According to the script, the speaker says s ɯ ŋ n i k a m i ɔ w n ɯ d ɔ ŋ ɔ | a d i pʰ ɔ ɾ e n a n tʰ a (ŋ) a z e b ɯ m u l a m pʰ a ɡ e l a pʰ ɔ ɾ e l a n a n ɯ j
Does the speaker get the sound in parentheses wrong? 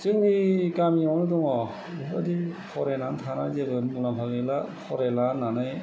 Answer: yes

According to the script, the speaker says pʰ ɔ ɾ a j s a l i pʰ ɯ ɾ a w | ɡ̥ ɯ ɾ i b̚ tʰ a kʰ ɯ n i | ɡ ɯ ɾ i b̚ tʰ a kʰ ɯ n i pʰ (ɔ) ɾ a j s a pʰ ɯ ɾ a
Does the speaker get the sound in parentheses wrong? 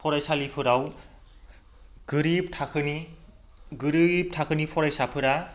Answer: no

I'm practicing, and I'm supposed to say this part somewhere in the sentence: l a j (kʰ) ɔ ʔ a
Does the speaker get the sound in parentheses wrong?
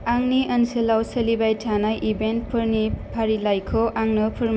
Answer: no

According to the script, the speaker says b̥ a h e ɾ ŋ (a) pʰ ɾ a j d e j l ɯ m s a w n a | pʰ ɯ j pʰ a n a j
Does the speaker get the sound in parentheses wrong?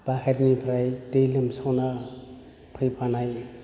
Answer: yes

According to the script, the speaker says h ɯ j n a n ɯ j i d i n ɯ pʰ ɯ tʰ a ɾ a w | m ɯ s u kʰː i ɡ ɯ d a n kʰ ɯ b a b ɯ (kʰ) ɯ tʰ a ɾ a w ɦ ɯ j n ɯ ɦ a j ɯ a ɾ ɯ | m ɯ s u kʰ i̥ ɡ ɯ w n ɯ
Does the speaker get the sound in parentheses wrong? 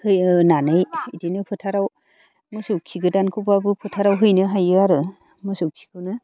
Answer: yes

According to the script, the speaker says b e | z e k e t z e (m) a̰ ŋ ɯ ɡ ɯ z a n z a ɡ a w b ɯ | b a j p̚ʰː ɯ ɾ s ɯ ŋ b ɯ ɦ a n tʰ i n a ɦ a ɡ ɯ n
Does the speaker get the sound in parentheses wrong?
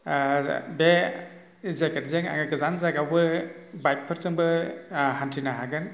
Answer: yes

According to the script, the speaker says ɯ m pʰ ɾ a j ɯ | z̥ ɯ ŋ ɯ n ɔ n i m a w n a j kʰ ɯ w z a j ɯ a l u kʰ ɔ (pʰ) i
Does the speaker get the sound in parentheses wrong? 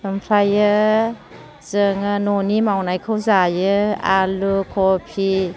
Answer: no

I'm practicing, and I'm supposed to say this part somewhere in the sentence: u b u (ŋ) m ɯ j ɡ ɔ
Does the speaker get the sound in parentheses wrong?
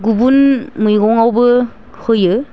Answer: yes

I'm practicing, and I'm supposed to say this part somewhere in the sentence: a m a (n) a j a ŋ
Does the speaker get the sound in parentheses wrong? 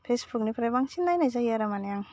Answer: no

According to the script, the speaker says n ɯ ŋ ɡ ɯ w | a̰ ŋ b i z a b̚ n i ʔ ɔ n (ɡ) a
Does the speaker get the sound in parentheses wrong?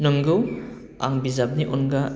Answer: no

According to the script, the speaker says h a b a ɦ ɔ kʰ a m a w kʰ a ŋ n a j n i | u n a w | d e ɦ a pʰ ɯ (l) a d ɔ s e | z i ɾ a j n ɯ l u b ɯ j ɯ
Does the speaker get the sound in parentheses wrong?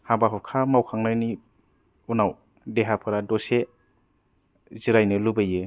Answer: yes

